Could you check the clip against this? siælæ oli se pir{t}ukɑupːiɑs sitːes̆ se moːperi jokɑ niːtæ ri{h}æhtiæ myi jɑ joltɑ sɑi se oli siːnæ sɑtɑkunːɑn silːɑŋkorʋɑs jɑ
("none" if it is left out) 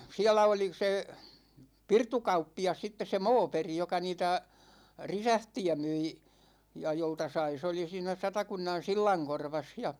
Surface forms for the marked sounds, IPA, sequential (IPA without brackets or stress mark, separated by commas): t, s